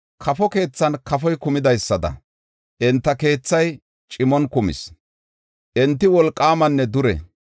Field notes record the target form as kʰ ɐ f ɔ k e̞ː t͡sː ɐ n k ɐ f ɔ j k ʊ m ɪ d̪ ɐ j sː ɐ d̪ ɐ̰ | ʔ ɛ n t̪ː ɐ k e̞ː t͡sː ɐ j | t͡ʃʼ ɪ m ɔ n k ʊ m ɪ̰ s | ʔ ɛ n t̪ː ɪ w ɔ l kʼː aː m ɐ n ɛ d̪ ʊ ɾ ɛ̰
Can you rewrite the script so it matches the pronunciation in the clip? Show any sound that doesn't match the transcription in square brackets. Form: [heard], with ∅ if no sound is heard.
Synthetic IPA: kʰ ɐ f ɔ k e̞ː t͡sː ɐ n k ɐ f ɔ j k ʊ m ɪ d̪ ɐ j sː ɐ d̪ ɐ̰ | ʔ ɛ n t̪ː ɐ k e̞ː t͡sː ɐ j | t͡ʃʼ ɪ m ɔ n k ʊ m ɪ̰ s | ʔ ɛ n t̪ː ɪ w ɔ l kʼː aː m ɐ [nː] ɛ d̪ ʊ ɾ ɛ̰